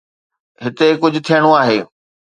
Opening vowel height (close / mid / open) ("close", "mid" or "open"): close